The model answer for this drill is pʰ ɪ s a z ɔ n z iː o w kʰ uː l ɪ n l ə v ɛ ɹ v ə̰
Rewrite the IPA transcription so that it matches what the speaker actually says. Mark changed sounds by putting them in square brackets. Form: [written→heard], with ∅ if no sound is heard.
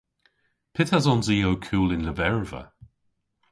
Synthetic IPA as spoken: pʰ ɪ [s→t] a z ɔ n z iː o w kʰ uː l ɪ n l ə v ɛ ɹ v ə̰